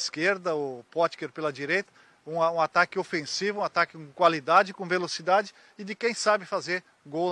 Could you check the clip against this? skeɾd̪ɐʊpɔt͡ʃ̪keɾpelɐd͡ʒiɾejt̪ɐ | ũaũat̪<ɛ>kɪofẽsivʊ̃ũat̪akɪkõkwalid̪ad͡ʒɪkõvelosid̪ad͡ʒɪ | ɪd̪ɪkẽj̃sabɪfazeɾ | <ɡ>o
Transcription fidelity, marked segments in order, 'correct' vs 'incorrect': incorrect: a, correct

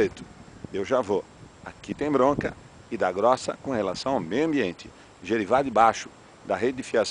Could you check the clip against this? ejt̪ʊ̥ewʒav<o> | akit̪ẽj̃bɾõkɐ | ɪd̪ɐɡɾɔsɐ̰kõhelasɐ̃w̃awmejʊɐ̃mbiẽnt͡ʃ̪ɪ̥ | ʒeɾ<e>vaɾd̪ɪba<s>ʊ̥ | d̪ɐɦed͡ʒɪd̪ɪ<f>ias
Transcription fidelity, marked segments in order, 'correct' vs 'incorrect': correct, incorrect: i, incorrect: ʃ, correct

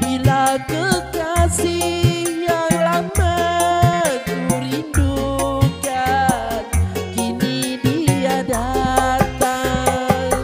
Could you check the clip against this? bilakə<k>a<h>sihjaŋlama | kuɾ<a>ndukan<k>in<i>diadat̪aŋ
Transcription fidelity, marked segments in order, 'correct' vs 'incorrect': correct, incorrect: none, incorrect: i, correct, correct

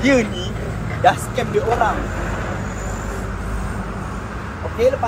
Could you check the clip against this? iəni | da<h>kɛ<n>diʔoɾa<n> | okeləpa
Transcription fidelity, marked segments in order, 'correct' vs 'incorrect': incorrect: s, incorrect: m, incorrect: ŋ

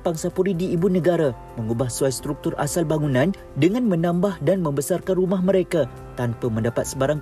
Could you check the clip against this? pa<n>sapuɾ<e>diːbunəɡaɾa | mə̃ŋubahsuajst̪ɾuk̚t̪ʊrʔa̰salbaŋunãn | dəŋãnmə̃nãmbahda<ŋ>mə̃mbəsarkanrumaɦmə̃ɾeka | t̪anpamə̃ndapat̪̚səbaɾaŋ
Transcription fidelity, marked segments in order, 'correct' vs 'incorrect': incorrect: ŋ, incorrect: i, incorrect: n

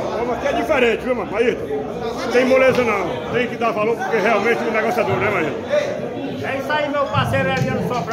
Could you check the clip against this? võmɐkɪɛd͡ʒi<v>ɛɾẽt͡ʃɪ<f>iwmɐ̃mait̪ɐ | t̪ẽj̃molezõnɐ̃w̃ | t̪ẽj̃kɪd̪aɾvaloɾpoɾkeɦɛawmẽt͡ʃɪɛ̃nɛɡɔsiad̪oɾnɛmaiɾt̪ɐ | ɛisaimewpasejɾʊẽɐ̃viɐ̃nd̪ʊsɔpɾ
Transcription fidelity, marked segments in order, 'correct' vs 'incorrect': incorrect: f, incorrect: v

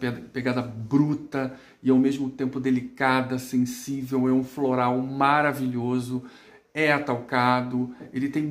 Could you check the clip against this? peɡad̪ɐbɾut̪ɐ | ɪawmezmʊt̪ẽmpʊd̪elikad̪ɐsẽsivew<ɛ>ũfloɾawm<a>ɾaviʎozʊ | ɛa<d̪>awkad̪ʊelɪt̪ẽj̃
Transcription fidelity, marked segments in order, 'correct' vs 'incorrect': correct, correct, incorrect: t̪

